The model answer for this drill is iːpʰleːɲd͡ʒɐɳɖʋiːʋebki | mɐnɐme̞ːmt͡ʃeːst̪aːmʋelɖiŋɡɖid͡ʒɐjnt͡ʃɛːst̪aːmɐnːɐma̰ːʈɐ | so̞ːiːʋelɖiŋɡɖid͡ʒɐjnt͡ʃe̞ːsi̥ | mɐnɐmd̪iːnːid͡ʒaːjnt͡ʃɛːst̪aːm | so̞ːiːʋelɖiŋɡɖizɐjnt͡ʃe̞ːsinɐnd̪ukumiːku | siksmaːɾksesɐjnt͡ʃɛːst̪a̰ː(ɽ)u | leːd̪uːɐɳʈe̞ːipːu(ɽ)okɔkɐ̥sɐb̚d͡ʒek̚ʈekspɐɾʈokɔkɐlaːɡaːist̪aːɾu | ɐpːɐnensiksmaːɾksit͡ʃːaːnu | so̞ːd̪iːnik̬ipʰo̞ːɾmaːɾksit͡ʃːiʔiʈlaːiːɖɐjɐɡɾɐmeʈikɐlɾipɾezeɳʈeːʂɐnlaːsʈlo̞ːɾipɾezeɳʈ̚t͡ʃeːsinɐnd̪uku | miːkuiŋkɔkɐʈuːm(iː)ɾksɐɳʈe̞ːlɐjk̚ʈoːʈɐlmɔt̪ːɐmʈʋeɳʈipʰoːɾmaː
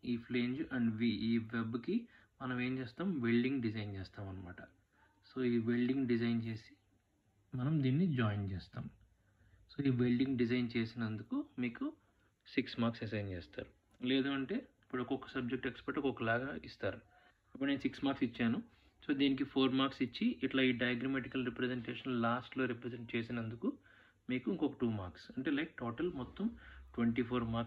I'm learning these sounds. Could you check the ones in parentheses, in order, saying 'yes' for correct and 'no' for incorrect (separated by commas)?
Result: no, yes, no